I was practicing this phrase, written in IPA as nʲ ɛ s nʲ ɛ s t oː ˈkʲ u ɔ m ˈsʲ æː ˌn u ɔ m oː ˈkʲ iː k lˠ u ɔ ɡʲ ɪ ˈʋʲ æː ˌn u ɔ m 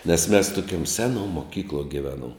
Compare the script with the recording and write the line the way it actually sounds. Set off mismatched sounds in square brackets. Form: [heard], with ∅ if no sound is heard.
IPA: nʲ ɛ s [mʲ] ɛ s t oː ˈkʲ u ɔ m ˈsʲ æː ˌn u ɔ m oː ˈkʲ iː k lˠ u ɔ ɡʲ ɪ ˈʋʲ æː ˌn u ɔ m